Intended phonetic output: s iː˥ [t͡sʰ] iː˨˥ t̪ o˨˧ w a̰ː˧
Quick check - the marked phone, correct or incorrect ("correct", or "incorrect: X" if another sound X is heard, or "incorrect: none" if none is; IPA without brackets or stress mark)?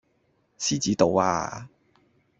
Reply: incorrect: t͡s